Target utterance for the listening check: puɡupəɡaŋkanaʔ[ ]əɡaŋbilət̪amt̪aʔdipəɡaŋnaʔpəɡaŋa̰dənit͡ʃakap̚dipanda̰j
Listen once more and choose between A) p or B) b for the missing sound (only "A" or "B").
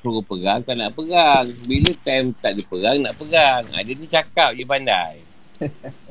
A